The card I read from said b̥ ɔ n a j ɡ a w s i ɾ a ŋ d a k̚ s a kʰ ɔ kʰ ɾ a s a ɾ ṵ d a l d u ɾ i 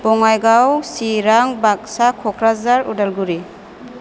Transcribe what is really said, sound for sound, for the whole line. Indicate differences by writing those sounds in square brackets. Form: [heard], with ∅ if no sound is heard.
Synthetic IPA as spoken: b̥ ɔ [ŋ] a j ɡ a w s i ɾ a ŋ [b] a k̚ s a kʰ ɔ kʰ ɾ a [z] a ɾ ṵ d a l [ɡ] u ɾ i